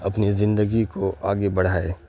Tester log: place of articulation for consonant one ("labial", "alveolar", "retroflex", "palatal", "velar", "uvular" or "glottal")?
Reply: labial